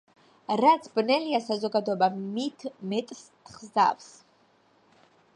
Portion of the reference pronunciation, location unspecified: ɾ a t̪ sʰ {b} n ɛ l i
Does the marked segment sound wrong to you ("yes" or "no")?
no